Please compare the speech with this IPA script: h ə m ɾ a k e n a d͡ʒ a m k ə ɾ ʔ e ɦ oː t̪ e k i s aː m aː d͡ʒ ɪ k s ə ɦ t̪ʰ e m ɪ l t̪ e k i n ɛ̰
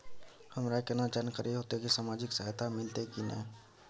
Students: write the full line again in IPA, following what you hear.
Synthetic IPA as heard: h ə m ɾ a k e n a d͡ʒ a n k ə ɾ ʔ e ɦ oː t̪ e k i s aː m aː d͡ʒ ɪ k s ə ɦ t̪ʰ a m ɪ l t̪ e k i n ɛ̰